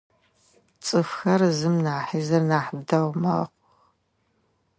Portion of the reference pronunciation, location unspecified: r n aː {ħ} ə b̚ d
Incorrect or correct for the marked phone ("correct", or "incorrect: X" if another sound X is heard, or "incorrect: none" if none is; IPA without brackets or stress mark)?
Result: correct